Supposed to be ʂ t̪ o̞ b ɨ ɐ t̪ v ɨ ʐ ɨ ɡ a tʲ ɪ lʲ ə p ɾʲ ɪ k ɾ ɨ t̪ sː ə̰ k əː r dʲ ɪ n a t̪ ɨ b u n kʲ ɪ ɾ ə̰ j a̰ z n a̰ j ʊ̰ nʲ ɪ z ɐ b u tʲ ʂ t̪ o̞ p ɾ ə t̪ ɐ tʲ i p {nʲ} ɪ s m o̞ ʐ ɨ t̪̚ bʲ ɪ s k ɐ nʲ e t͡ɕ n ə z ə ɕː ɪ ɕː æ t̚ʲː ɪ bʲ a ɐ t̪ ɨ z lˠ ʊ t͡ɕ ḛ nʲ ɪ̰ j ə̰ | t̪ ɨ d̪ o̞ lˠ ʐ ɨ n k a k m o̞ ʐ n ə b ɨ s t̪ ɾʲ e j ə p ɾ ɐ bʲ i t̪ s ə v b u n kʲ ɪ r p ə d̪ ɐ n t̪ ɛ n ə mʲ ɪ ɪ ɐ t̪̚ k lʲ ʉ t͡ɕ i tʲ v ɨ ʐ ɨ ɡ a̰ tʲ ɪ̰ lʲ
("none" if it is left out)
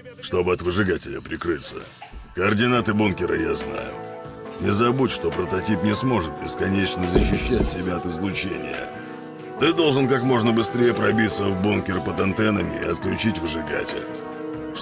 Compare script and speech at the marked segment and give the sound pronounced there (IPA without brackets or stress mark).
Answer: nʲ